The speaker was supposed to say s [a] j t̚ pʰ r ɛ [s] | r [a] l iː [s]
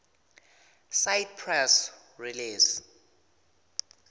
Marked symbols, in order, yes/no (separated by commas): yes, yes, no, yes